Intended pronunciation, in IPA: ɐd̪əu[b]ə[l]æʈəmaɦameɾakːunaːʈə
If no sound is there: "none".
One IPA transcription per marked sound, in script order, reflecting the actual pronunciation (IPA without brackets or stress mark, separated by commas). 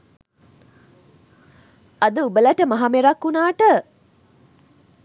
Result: b, l